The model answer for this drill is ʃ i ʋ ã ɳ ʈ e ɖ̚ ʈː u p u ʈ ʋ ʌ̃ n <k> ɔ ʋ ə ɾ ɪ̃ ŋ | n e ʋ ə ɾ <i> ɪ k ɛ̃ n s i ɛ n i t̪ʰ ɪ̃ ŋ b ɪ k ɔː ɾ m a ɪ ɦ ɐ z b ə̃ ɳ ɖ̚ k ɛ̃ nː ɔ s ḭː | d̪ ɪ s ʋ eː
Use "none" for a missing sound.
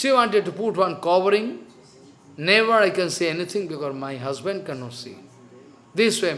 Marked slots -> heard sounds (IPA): k, a

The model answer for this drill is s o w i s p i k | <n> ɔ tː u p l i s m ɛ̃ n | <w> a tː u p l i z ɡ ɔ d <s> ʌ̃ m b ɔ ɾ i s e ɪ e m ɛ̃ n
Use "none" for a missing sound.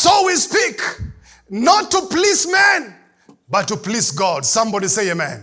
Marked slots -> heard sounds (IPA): n, b, s

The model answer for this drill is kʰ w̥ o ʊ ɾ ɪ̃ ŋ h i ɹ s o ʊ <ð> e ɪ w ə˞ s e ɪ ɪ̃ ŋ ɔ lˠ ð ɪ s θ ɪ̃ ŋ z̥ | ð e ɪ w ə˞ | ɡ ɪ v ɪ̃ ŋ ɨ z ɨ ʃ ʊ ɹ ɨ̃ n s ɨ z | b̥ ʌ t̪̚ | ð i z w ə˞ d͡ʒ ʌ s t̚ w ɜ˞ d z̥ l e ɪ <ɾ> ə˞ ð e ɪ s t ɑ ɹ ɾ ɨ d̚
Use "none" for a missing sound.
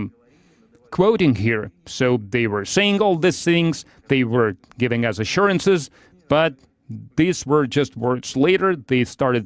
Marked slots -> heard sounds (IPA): ð, ɾ

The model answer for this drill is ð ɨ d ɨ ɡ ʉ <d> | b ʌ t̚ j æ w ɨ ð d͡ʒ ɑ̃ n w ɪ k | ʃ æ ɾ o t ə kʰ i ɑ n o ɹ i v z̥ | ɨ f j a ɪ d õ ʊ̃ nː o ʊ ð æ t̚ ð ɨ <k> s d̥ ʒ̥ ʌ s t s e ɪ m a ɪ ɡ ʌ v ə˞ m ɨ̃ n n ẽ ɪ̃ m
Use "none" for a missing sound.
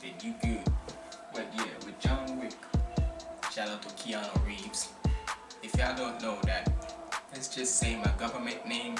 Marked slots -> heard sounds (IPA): d, t

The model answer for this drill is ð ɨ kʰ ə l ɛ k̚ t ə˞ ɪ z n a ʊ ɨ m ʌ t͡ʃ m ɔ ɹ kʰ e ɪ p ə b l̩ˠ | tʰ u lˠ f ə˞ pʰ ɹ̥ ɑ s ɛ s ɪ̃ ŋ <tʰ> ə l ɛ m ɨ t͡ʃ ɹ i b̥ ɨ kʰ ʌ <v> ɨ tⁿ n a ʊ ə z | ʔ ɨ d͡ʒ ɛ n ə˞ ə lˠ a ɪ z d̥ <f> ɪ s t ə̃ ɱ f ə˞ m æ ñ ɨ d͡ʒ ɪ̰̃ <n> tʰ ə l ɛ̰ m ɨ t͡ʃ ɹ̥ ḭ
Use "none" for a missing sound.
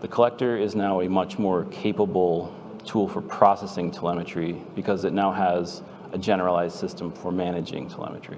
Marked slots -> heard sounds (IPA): tʰ, z, s, ŋ

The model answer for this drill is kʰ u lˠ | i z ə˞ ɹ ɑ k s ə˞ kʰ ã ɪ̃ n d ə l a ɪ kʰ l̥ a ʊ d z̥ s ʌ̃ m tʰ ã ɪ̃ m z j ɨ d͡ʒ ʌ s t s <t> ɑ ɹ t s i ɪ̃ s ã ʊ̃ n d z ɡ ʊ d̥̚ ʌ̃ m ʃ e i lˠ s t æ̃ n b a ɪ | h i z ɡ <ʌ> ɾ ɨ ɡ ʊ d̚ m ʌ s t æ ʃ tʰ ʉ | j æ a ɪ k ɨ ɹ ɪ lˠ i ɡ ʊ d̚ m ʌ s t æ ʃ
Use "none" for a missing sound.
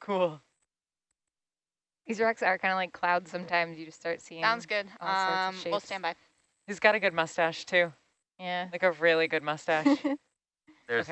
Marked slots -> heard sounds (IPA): t, ɑ

